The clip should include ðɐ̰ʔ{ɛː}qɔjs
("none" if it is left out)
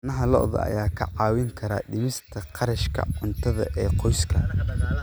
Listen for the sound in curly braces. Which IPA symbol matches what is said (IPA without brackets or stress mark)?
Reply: ɛː